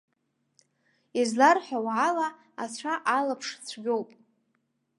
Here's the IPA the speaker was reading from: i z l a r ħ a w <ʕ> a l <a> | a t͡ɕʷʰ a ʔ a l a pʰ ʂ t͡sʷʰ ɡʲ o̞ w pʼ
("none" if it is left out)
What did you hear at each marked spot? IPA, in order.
ʕ, a

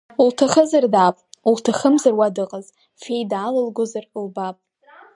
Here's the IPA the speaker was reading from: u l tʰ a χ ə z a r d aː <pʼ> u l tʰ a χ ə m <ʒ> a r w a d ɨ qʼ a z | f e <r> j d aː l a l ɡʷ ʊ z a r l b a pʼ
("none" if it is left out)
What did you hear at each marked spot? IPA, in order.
pʼ, z, none

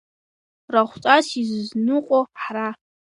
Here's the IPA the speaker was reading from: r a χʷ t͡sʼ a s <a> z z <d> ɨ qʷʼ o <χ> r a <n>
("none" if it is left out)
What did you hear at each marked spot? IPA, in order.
i, n, ħ, none

